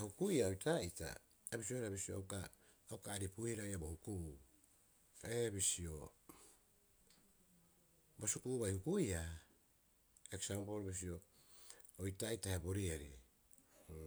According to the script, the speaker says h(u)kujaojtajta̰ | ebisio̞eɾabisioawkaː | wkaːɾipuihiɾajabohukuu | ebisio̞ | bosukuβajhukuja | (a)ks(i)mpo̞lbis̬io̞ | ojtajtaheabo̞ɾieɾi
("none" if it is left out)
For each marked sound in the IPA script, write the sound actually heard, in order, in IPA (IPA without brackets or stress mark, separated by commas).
u, e, a